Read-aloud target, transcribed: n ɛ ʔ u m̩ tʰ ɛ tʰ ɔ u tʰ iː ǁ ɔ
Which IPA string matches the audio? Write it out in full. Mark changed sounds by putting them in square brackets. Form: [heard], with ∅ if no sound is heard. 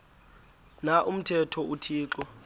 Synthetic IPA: n [a] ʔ u m̩ tʰ ɛ tʰ ɔ u tʰ iː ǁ ɔ